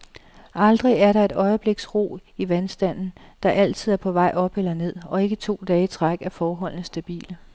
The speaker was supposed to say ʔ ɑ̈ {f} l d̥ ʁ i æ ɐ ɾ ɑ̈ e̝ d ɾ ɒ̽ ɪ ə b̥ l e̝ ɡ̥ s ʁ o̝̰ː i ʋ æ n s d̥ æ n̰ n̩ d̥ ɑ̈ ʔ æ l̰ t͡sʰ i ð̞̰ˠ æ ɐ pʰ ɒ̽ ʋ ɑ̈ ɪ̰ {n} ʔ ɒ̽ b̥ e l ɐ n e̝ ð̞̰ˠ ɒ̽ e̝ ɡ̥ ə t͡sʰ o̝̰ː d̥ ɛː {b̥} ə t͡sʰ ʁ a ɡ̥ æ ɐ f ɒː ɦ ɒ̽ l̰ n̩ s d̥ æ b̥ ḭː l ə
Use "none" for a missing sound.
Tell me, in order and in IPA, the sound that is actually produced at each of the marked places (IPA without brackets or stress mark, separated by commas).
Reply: none, none, none